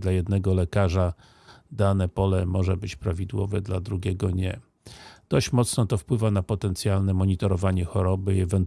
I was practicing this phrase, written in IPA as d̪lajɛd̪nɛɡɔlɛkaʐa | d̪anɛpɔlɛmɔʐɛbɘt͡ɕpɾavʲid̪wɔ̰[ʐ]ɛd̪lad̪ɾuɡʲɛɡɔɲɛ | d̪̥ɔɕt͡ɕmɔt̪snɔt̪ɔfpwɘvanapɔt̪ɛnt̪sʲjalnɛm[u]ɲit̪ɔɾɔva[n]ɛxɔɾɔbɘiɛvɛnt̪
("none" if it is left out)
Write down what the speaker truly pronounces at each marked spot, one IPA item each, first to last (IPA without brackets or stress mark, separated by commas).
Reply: v, ɔ, ɲ